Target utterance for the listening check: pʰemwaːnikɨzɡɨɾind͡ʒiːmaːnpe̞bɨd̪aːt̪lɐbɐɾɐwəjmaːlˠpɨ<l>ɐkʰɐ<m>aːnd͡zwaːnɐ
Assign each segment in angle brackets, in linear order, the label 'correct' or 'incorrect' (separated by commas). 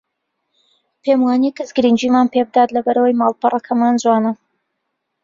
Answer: incorrect, correct